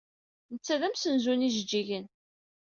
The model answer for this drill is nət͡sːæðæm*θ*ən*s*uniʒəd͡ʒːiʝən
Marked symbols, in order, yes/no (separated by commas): no, no